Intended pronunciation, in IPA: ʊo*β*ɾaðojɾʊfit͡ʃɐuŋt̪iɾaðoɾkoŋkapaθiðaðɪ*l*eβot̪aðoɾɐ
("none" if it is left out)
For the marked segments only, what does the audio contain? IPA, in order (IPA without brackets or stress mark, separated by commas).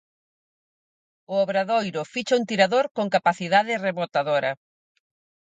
β, r